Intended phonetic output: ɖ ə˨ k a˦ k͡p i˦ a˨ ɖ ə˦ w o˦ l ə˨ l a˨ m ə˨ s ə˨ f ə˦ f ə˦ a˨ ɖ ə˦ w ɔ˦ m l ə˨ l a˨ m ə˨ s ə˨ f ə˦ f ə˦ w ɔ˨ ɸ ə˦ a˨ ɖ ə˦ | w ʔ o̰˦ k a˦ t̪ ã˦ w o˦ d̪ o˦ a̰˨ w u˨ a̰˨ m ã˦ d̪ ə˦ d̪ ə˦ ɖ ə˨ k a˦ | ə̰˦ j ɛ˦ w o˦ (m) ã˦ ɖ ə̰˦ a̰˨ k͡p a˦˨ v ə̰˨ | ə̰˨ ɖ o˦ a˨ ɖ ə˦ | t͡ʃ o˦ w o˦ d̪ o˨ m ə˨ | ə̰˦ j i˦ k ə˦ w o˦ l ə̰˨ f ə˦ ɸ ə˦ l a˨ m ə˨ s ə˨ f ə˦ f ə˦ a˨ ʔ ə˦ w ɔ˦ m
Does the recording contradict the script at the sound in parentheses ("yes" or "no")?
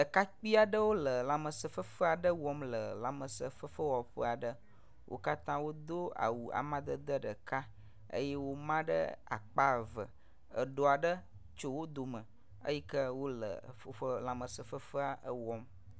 no